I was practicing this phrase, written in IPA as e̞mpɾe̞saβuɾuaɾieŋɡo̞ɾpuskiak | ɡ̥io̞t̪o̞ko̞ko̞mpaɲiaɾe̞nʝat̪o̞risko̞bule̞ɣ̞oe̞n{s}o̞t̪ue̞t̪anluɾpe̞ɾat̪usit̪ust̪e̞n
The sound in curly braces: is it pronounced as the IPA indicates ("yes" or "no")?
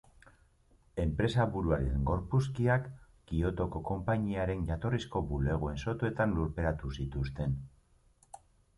yes